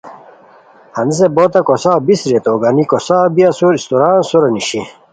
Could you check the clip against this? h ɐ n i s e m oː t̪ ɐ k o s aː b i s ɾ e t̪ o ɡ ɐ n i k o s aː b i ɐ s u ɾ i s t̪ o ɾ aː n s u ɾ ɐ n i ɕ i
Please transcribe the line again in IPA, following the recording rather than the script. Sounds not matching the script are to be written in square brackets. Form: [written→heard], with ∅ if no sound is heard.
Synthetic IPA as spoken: h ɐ n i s e [m→b] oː t̪ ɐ k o s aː b i s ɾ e t̪ o ɡ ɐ n i k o s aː b i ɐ s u ɾ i s t̪ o ɾ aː n s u ɾ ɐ n i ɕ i